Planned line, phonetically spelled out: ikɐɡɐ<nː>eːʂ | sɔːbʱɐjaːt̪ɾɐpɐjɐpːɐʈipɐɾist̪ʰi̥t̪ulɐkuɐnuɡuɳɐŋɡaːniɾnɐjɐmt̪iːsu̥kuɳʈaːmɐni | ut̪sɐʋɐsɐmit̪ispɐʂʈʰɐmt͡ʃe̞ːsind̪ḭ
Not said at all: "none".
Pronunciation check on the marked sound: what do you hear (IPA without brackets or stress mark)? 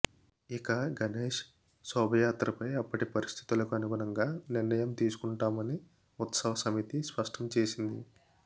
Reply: n